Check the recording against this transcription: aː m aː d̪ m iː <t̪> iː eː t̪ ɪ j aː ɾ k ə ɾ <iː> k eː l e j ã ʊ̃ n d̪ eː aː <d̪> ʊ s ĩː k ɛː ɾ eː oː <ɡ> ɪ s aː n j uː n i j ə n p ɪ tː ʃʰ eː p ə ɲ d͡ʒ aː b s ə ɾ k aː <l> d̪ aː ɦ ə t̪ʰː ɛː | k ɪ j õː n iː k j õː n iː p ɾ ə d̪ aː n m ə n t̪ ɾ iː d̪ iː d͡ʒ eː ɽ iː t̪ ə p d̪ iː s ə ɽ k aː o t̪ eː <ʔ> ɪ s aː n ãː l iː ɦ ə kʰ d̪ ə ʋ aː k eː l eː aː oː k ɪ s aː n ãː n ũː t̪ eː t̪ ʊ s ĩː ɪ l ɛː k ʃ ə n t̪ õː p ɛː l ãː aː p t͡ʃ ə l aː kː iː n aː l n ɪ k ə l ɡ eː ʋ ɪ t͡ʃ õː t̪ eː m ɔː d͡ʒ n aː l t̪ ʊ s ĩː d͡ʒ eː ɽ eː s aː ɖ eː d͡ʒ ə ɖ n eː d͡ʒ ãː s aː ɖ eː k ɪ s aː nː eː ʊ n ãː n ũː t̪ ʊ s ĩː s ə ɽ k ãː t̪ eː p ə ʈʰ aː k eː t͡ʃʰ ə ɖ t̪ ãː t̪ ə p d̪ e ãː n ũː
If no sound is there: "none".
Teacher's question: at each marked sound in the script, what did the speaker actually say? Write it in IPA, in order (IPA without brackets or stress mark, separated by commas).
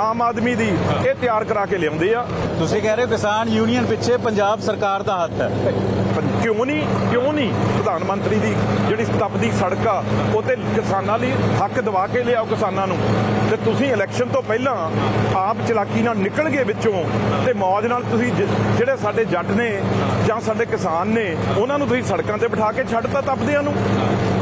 d̪, aː, t̪, k, ɾ, k